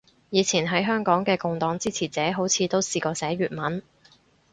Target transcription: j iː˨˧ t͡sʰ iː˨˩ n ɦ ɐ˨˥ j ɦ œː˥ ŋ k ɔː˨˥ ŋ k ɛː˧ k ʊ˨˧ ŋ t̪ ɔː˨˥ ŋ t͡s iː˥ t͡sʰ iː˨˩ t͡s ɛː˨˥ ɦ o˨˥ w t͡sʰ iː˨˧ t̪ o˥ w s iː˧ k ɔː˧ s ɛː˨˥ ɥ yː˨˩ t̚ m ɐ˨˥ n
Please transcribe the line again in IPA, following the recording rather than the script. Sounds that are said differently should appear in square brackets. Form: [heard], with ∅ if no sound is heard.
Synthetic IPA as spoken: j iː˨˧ t͡sʰ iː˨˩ n ɦ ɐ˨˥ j ɦ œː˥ ŋ k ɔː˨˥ ŋ k ɛː˧ k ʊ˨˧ ŋ t̪ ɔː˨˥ ŋ t͡s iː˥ t͡sʰ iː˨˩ t͡s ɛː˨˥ ɦ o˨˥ w t͡sʰ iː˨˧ t̪ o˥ w s iː˧ k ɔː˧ s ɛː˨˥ ɥ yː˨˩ t̚ m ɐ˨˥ n